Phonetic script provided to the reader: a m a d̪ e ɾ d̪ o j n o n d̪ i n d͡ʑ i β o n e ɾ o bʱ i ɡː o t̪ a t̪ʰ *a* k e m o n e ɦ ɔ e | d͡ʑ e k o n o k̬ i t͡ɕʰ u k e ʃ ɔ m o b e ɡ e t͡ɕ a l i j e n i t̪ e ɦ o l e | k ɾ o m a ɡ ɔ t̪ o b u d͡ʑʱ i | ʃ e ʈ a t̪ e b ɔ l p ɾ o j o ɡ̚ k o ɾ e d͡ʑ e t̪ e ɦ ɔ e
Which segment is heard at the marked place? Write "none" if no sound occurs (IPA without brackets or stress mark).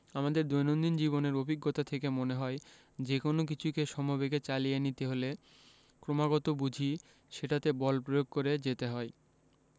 e